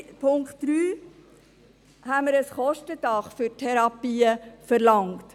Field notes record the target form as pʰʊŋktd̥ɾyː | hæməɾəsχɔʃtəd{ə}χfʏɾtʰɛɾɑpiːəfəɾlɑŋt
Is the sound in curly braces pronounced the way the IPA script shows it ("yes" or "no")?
no